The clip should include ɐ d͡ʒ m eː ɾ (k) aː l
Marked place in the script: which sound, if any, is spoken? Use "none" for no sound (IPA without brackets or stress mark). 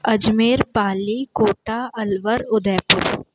p